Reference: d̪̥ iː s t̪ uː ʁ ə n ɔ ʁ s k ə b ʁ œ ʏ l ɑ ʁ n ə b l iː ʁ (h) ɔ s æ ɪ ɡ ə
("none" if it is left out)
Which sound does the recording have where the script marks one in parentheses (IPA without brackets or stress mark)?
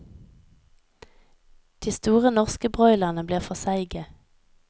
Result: f